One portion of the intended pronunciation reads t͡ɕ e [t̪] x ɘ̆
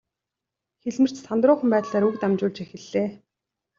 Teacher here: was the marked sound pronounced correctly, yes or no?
no